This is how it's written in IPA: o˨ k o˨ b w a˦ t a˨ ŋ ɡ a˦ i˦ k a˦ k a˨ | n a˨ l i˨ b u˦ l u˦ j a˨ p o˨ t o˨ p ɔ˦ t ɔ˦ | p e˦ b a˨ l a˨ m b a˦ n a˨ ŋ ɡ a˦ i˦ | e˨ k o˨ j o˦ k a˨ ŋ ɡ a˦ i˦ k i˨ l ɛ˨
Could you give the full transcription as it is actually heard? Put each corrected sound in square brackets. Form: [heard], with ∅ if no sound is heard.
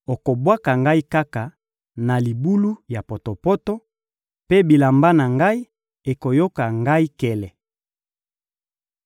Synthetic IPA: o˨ k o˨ b w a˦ [k] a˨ ŋ ɡ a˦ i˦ k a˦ k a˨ | n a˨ l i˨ b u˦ l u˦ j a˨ p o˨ t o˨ p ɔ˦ t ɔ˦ | p e˦ b [i˨] l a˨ m b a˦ n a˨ ŋ ɡ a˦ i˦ | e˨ k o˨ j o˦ k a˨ ŋ ɡ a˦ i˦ k [ɛ˨] l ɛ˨